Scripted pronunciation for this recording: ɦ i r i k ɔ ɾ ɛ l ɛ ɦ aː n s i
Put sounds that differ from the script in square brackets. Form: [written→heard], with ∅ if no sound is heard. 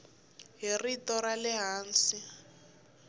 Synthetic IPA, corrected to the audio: ɦ i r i [k→t] ɔ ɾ [ɛ→a] l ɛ ɦ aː n s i